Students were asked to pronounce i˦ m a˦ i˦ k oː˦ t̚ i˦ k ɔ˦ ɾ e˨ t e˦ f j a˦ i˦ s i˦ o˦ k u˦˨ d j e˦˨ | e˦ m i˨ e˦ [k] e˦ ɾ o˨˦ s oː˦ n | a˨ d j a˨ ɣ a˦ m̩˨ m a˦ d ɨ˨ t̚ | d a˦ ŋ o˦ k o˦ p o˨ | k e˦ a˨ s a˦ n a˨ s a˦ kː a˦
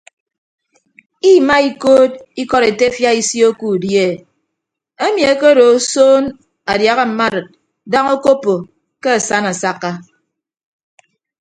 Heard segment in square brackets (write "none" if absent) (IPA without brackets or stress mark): k